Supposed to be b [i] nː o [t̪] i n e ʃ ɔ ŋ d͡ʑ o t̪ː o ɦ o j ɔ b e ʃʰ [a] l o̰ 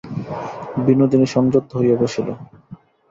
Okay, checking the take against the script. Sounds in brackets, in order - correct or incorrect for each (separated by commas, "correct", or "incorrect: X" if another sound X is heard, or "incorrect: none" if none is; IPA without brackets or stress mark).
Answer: correct, incorrect: d̪, incorrect: i